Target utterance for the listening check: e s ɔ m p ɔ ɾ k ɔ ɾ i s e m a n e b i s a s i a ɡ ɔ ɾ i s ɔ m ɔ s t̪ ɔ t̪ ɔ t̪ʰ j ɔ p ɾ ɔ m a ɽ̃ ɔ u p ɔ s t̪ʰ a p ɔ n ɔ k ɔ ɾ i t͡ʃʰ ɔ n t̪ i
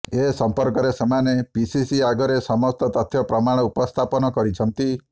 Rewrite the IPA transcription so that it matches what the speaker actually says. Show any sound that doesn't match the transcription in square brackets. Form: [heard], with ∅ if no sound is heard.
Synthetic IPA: e s ɔ m p ɔ ɾ k ɔ ɾ [e] s e m a n e [p] i s [i] s i a ɡ ɔ ɾ [e] s ɔ m ɔ s t̪ ɔ t̪ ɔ t̪ʰ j ɔ p ɾ ɔ m a ɽ̃ ɔ u p ɔ s t̪ʰ a p ɔ n ɔ k ɔ ɾ i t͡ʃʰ ɔ n t̪ i